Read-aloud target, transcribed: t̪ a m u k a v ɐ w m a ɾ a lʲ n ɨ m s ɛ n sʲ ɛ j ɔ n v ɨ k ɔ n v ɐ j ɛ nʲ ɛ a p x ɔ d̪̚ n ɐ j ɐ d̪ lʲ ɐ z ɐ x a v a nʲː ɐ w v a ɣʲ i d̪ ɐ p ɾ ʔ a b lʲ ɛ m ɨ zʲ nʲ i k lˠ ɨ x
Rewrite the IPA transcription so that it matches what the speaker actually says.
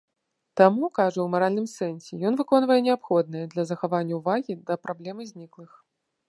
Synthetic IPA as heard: t̪ a m u k a ʐ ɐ w m a ɾ a lʲ n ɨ m s ɛ n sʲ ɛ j ɔ n v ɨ k ɔ n v ɐ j ɛ nʲ ɛ a p x ɔ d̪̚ n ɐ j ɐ d̪ lʲ ɐ z ɐ x a v a nʲː ɐ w v a ɣʲ i d̪ ɐ p ɾ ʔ a b lʲ ɛ m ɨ zʲ nʲ i k lˠ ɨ x